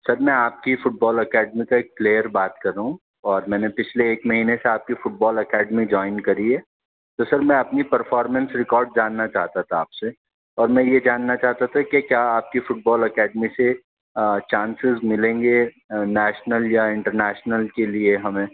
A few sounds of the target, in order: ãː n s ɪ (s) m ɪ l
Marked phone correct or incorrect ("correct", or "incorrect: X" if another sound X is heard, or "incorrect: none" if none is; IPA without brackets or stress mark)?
incorrect: z